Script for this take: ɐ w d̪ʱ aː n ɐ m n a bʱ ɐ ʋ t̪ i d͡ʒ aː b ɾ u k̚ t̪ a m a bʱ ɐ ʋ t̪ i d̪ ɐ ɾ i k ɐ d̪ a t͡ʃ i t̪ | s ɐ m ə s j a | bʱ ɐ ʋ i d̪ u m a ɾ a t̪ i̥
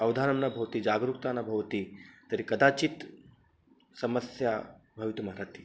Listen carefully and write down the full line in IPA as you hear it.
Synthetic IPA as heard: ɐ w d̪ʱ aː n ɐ m n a bʱ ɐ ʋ t̪ i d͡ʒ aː ɡ ɾ u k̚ t̪ a n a bʱ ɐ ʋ t̪ i t̪ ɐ ɾ i k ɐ d̪ a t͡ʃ i t̪ | s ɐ m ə s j a | bʱ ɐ ʋ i t̪ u m a ɾ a t̪ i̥